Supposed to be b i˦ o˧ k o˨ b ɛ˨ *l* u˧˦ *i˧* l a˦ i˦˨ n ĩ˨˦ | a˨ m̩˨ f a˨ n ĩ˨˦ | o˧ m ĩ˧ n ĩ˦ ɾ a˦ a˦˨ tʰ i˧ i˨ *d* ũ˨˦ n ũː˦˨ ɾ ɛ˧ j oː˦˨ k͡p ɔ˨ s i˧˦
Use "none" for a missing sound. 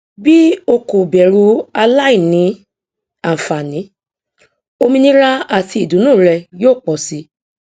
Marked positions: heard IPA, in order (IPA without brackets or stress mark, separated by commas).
ɾ, a˧, d